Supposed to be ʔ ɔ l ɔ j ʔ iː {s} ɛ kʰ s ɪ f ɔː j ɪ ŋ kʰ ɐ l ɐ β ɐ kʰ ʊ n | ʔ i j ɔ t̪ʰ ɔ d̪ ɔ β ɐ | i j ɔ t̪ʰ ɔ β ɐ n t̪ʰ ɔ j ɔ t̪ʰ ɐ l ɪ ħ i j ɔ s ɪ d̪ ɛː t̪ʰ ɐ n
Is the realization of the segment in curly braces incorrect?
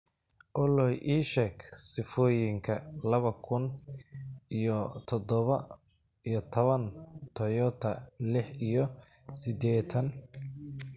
yes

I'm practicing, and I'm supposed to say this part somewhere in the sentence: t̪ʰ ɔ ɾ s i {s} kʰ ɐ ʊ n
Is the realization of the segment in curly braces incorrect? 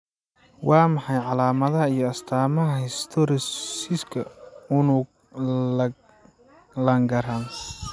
no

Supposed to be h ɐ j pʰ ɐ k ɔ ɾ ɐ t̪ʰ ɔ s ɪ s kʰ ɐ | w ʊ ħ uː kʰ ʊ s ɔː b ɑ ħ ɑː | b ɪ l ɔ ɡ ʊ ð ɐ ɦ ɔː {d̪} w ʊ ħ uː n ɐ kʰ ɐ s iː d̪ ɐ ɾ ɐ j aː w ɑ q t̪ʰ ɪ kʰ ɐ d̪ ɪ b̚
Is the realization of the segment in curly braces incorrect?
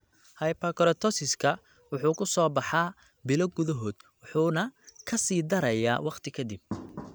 no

